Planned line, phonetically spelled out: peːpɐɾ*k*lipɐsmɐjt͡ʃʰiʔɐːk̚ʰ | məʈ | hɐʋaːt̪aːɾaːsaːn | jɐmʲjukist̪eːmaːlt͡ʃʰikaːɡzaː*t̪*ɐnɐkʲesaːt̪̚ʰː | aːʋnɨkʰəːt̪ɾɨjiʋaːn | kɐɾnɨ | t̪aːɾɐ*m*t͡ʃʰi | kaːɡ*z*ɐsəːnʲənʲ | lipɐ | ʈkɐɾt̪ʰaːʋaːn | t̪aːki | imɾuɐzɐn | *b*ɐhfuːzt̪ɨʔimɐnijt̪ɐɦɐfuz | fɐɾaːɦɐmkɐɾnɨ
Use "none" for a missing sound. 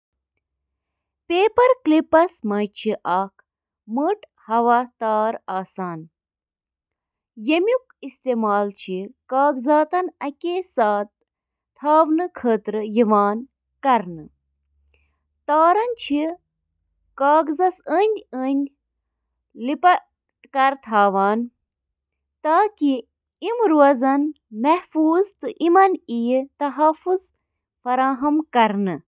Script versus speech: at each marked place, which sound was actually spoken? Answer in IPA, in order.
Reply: k, t̪, n, z, m

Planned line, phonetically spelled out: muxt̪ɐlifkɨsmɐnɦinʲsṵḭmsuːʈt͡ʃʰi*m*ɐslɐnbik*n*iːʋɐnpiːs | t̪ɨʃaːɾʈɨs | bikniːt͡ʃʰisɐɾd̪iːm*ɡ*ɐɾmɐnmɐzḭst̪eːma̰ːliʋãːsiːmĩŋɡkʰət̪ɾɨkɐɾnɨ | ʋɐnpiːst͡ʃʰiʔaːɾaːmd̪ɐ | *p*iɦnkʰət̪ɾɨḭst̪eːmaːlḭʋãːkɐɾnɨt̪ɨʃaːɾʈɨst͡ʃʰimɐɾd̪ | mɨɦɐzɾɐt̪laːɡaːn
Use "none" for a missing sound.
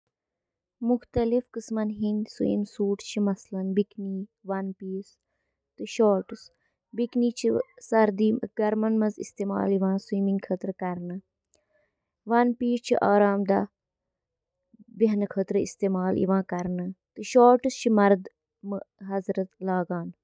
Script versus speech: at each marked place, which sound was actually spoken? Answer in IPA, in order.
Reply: m, n, ɡ, b

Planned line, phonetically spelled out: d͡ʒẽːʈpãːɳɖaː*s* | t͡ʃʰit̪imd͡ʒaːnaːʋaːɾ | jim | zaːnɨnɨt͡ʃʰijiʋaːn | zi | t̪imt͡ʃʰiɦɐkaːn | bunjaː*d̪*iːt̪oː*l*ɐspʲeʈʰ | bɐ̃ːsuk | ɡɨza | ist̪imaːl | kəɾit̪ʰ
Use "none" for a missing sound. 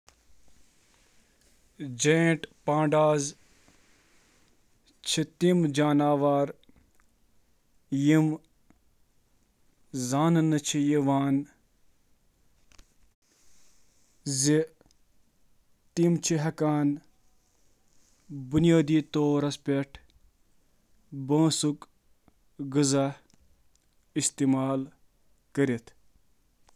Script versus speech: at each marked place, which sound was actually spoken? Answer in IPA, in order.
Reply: z, d̪, ɾ

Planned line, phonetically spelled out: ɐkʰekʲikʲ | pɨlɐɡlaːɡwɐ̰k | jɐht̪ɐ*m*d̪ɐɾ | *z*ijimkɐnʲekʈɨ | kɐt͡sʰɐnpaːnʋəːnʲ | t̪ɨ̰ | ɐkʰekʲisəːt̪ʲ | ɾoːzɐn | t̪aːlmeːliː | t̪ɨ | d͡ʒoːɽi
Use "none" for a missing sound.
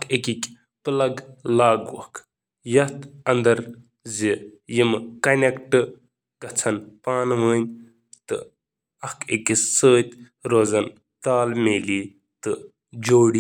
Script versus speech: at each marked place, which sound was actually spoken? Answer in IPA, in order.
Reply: n, z

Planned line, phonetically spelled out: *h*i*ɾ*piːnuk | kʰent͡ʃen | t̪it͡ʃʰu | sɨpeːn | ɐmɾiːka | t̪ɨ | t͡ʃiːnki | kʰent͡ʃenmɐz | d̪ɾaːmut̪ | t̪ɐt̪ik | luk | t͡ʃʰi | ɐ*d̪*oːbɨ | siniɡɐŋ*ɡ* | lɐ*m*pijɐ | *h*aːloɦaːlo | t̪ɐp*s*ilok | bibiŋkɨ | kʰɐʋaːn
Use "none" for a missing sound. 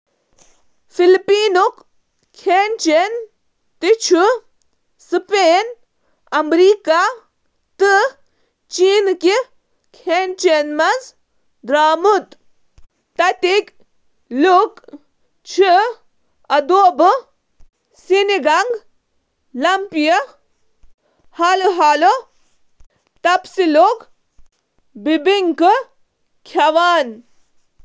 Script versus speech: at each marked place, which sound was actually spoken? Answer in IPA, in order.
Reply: f, l, d̪, ɡ, m, h, s

